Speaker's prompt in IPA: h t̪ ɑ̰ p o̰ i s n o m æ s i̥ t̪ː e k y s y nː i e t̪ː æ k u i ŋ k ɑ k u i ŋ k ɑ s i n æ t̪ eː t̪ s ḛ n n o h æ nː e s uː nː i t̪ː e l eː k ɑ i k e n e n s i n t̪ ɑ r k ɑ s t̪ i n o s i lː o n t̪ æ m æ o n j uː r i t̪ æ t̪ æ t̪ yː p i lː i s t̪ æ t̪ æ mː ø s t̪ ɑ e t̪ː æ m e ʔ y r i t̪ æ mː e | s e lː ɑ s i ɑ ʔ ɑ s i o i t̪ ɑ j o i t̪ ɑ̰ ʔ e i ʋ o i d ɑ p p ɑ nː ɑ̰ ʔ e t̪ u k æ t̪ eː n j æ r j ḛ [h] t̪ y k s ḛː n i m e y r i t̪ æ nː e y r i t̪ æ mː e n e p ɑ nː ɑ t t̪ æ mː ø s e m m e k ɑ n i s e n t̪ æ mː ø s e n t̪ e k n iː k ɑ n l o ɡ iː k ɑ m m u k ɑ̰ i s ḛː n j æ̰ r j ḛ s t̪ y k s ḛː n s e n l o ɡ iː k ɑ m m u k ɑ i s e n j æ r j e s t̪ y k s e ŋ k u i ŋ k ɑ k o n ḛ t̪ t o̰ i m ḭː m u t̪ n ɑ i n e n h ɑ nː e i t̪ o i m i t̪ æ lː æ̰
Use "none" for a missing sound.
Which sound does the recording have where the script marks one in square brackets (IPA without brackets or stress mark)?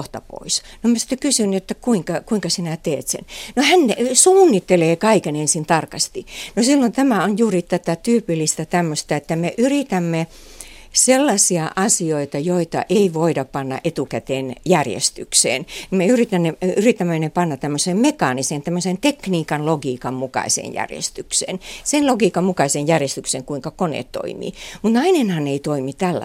s